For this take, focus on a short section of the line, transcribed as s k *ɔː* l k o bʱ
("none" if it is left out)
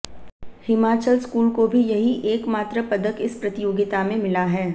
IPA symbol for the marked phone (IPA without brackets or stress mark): uː